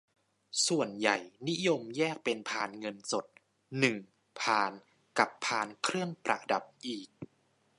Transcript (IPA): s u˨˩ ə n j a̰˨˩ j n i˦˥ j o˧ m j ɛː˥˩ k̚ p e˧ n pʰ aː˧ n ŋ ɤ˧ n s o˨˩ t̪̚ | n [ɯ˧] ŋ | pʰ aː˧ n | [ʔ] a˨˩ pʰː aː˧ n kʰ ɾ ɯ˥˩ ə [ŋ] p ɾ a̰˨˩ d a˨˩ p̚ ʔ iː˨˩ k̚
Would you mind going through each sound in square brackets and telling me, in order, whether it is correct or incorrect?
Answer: incorrect: ɯ˨˩, incorrect: k, correct

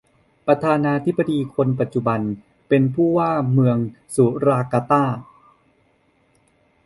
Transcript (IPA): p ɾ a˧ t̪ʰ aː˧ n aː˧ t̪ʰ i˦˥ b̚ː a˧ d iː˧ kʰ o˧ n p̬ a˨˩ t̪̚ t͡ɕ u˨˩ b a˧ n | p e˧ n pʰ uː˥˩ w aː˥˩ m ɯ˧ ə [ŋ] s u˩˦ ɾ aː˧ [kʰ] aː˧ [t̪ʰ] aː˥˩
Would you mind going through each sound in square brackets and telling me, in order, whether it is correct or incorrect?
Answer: correct, incorrect: k, incorrect: t̪

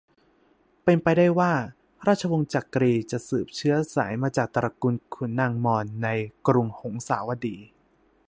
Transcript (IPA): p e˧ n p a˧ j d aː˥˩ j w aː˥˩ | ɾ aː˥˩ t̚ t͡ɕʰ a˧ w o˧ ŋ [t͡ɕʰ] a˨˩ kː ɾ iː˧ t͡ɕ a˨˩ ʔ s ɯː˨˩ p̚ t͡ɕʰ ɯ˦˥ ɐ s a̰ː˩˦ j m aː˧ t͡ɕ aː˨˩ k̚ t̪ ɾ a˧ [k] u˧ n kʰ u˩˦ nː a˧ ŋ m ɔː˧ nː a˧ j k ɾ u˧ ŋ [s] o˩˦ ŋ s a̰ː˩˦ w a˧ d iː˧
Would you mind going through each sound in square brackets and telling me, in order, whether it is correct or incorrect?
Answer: incorrect: t͡ɕ, correct, incorrect: h

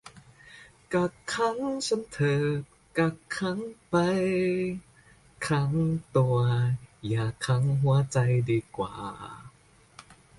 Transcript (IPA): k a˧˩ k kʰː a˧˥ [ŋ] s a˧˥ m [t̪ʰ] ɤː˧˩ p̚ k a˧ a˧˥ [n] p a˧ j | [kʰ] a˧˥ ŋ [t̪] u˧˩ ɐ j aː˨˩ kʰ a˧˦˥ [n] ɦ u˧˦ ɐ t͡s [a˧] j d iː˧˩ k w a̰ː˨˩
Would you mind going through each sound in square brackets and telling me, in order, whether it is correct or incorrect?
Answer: correct, correct, incorrect: ŋ, correct, correct, incorrect: ŋ, correct

